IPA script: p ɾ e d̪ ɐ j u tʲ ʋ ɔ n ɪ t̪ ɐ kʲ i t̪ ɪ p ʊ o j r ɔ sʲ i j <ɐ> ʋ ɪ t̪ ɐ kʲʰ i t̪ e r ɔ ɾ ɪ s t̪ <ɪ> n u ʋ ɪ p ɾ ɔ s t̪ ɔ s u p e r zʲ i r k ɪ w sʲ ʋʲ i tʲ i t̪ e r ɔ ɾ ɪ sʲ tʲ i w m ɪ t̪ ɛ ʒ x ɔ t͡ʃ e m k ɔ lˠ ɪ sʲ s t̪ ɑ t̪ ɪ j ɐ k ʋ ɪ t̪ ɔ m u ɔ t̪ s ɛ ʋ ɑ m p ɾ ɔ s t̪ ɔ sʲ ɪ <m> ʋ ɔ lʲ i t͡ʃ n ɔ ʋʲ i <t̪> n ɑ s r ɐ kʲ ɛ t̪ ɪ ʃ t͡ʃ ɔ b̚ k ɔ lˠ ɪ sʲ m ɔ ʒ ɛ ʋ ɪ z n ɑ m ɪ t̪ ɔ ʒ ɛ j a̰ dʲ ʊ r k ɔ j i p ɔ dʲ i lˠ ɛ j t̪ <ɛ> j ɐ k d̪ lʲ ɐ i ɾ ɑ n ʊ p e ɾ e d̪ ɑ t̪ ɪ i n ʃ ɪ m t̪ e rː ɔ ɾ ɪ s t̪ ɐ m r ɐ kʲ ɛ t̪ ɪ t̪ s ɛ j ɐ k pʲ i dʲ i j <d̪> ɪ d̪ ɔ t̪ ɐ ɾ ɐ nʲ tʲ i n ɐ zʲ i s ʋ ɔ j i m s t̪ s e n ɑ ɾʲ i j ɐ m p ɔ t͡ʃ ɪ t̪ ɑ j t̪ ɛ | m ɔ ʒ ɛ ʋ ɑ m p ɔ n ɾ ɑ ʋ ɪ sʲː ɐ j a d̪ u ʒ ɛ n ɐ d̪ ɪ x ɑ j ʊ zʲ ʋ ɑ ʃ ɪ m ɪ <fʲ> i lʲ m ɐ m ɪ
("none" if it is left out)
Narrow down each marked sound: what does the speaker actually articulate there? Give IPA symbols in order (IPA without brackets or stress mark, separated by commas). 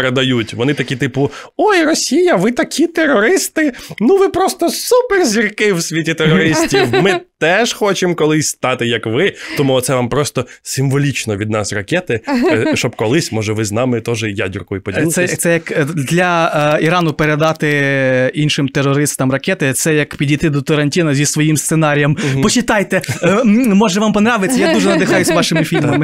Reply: ɐ, ɪ, m, d̪, ɛ, t̪, fʲ